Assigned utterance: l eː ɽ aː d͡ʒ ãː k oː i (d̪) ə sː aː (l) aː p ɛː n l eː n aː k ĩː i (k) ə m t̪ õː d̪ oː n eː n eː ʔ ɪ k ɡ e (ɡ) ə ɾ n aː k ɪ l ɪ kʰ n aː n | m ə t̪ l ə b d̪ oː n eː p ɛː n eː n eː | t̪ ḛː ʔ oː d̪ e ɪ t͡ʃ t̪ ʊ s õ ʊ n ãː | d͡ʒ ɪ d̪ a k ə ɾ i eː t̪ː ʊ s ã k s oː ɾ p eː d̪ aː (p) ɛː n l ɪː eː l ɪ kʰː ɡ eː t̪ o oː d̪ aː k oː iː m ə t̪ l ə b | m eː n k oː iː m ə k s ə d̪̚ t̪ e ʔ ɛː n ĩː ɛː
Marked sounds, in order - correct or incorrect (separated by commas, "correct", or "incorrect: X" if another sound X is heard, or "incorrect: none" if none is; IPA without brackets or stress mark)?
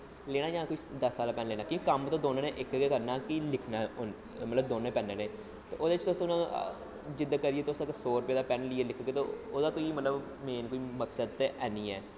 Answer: correct, correct, correct, incorrect: k, correct